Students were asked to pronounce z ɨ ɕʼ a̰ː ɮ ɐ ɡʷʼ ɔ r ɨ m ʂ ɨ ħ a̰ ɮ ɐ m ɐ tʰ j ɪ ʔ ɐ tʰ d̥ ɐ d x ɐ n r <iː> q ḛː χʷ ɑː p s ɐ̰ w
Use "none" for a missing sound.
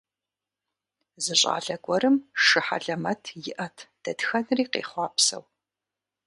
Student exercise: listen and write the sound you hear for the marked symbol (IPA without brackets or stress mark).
iː